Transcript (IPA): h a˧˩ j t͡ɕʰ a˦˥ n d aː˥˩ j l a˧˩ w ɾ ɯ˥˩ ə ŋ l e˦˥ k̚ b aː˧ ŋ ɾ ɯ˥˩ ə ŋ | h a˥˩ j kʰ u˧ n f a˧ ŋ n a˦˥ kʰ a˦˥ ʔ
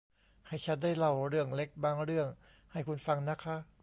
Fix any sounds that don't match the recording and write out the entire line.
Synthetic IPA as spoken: h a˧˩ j t͡ɕʰ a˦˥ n d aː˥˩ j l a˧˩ w ɾ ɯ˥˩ ə ŋ l e˦˥ k̚ b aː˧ ŋ ɾ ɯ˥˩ ə ŋ | h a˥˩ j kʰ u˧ n f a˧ ŋ n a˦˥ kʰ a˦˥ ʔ